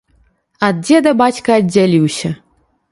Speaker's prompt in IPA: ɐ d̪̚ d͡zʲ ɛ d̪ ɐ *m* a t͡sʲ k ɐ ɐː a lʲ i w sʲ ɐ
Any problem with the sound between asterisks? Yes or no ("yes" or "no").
yes